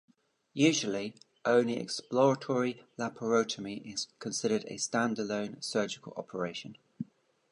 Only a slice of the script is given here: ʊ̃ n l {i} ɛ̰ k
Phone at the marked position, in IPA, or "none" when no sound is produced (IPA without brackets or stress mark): i